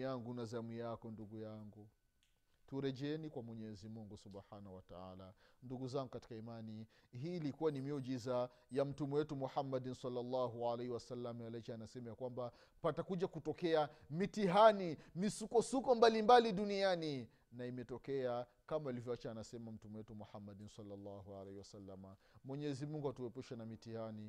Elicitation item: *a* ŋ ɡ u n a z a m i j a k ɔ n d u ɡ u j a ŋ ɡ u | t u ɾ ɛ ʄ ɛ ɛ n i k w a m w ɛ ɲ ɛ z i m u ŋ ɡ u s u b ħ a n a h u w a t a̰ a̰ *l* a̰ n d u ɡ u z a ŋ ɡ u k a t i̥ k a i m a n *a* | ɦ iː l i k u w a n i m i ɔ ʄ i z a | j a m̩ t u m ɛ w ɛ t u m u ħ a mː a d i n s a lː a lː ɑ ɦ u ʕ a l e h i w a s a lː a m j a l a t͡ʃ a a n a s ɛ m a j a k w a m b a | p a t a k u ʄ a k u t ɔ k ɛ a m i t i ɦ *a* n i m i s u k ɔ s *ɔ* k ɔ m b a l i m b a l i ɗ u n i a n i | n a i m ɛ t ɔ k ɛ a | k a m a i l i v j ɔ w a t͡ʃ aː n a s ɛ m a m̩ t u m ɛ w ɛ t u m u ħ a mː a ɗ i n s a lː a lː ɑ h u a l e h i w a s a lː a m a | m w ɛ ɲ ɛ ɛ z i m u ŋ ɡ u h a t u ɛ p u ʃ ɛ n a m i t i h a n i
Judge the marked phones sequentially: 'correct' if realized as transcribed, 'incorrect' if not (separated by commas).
correct, correct, incorrect, correct, incorrect